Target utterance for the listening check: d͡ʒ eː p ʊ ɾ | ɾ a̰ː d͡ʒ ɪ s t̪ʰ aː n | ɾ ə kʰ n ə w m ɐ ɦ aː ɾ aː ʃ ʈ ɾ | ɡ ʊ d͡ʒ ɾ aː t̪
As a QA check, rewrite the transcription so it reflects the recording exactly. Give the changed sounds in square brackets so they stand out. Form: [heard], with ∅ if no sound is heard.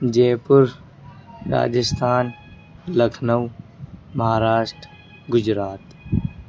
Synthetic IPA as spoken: d͡ʒ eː p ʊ ɾ | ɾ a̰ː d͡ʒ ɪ s t̪ʰ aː n | [l] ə kʰ n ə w m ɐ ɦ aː ɾ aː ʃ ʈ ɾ | ɡ ʊ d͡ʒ ɾ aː t̪

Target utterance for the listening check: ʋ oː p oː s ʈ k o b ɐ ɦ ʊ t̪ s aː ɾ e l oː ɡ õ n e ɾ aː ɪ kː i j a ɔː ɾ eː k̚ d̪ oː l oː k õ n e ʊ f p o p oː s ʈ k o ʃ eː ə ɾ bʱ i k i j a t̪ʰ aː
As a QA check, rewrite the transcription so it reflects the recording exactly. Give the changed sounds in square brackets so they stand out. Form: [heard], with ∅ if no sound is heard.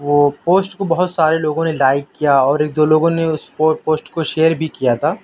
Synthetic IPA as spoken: ʋ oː p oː s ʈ k o b ɐ ɦ ʊ t̪ s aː ɾ e l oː ɡ õ n e [l] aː ɪ kː i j a ɔː ɾ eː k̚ d̪ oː l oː [ɡ] õ n e ʊ [s] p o p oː s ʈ k o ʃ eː ə ɾ bʱ i k i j a t̪ʰ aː

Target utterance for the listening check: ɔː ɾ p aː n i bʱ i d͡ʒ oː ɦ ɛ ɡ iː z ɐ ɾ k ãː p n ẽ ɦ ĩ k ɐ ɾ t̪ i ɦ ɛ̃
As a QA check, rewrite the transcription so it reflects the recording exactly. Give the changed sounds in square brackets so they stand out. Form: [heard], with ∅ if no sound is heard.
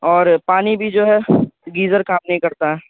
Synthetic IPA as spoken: ɔː ɾ p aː n i bʱ i d͡ʒ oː ɦ ɛ ɡ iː z [ə] ɾ k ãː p n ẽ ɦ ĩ k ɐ ɾ t̪ [a] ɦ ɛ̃

